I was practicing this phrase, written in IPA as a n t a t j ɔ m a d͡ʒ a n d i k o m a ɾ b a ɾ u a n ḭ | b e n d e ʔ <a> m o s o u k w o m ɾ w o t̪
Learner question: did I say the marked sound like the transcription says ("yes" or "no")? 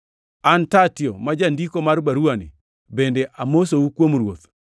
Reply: yes